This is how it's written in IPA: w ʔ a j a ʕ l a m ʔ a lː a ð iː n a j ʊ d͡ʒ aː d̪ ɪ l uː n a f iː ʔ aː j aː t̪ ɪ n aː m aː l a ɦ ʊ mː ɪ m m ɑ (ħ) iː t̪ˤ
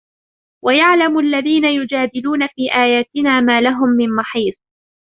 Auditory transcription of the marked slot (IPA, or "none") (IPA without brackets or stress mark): ħ